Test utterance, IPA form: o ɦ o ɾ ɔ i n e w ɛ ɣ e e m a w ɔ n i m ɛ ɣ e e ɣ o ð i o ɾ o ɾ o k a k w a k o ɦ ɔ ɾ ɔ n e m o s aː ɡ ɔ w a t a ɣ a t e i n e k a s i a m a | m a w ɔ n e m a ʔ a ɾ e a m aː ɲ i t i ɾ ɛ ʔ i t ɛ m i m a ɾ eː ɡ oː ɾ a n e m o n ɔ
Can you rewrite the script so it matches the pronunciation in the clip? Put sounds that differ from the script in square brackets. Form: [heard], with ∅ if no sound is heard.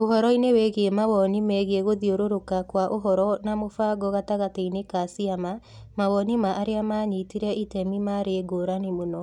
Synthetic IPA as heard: o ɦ [ɔ] ɾ ɔ i n e w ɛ ɣ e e m a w ɔ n i m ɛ ɣ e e ɣ o ð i o ɾ o ɾ o k a k w a [ʔ] o ɦ ɔ ɾ ɔ n [a] m o [f] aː ɡ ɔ [ɣ] a t a ɣ a t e i n e k a s i a m a | m a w ɔ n [i] m a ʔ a ɾ e a m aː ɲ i t i ɾ ɛ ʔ i t ɛ m i m a ɾ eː ɡ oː ɾ a n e m o n ɔ